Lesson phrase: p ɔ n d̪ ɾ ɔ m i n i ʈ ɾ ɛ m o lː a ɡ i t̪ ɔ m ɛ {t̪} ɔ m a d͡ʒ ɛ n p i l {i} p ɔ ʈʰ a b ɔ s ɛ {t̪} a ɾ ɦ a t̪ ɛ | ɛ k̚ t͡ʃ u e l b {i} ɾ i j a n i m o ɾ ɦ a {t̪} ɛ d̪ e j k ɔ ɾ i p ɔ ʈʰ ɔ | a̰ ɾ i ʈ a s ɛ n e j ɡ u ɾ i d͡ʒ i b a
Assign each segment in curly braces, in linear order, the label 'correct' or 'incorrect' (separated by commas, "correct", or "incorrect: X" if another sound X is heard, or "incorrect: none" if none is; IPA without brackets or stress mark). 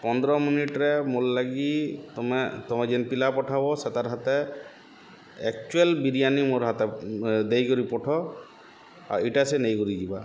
correct, incorrect: a, correct, correct, correct